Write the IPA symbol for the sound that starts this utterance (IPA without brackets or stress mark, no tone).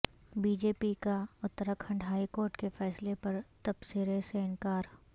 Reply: b